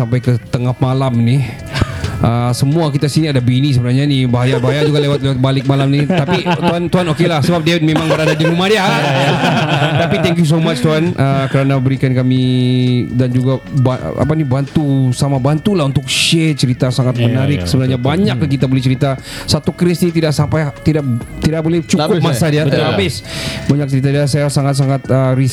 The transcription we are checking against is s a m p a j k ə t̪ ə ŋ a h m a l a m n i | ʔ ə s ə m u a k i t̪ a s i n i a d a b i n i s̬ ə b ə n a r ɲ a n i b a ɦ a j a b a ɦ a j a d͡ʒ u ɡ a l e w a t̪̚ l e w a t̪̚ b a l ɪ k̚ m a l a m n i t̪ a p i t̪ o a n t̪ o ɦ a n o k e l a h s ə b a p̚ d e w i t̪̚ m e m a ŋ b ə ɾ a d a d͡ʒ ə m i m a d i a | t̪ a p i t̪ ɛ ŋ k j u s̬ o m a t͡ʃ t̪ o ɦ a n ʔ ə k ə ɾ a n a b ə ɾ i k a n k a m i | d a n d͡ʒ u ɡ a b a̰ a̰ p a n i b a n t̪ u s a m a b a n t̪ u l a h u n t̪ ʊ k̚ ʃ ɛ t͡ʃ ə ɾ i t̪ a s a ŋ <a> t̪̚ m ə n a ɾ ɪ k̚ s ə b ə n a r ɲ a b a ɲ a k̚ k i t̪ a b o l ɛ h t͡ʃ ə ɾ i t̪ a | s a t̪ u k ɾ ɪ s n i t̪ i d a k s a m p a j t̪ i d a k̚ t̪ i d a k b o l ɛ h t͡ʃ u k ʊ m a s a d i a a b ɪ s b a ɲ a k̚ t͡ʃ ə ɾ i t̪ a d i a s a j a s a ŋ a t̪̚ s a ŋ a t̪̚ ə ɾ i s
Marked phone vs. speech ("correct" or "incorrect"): correct